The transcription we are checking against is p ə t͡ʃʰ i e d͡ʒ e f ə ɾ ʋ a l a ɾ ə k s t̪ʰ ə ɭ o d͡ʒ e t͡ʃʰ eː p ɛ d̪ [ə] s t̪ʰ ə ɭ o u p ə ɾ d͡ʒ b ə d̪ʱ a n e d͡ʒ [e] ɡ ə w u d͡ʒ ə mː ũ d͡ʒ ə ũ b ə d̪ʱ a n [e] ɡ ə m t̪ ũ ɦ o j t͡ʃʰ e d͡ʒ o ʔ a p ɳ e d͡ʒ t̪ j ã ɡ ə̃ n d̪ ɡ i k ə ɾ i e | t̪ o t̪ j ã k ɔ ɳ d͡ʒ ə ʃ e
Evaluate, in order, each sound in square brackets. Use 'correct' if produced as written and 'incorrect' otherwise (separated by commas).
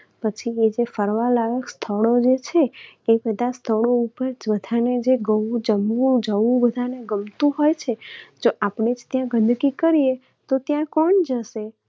incorrect, correct, correct